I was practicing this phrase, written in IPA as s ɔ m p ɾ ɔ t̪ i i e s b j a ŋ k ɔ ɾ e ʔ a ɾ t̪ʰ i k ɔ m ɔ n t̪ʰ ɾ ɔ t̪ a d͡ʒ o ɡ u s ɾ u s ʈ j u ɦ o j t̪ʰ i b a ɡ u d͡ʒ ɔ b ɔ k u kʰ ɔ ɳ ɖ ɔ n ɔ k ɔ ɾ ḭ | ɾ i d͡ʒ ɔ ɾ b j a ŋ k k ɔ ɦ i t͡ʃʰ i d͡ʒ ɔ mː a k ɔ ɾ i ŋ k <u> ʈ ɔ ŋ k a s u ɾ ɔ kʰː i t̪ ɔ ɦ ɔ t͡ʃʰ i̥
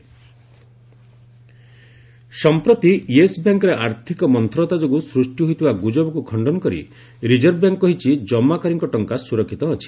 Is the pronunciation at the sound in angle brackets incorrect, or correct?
incorrect